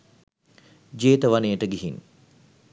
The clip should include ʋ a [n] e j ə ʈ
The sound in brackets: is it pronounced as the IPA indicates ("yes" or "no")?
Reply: yes